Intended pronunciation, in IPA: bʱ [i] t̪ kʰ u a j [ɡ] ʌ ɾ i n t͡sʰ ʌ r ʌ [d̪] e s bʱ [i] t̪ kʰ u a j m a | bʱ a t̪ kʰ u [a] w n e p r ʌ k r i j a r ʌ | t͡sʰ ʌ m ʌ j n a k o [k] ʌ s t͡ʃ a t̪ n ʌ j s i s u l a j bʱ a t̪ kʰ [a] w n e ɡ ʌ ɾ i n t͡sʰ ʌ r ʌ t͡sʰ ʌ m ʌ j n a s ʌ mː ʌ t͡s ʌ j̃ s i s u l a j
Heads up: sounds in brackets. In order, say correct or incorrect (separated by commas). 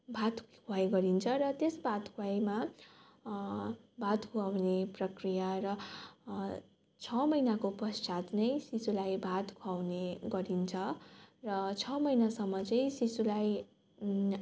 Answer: incorrect, correct, incorrect, incorrect, correct, incorrect, correct